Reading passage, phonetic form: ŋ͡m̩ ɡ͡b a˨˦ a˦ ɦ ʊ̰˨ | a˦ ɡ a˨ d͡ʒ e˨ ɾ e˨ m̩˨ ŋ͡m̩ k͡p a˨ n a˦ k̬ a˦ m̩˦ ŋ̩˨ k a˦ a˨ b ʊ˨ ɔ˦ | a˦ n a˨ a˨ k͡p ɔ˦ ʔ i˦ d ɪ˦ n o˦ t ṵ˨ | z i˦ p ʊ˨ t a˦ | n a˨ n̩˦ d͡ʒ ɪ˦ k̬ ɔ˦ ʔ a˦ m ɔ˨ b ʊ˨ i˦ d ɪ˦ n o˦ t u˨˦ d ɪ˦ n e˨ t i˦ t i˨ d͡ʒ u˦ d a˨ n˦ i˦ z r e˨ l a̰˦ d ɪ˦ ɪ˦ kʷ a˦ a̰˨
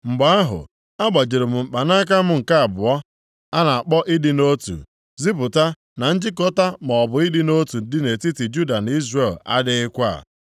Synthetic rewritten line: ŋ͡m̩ ɡ͡b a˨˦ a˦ ɦ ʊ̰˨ | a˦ ɡ͡b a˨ d͡ʒ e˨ ɾ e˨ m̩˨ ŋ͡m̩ k͡p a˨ n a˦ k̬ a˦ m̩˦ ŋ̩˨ k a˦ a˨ b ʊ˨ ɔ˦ | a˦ n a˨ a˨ k͡p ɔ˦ ʔ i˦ d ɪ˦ n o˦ t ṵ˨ | z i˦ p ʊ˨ t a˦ | n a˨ n̩˦ d͡ʒ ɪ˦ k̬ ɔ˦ t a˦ m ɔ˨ b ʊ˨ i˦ d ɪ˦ n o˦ t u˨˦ d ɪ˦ n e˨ t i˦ t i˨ d͡ʒ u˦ d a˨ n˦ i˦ z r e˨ l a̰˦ d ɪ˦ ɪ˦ kʷ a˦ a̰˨